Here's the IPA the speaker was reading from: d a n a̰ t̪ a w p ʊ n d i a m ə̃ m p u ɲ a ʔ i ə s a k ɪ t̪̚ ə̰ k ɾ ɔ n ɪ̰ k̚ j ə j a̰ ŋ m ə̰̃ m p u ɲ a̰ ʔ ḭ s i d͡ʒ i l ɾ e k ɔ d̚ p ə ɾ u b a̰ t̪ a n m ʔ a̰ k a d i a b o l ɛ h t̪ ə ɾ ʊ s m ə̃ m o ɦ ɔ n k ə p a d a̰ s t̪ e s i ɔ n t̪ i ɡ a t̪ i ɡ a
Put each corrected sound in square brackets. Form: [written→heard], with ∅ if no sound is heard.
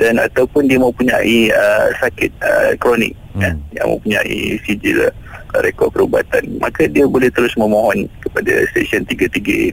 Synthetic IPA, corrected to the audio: d a n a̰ t̪ a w p ʊ n d i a m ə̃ m p u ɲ a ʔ i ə s a k ɪ t̪̚ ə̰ k ɾ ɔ n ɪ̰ k̚ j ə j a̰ ŋ m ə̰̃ m p u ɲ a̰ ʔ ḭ s i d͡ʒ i l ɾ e k ɔ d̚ p ə ɾ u b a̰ t̪ a n m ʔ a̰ k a d i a b o l ɛ h t̪ ə ɾ ʊ s m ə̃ m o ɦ ɔ n k ə p a d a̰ s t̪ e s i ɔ n t̪ i ɡ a t̪ i ɡ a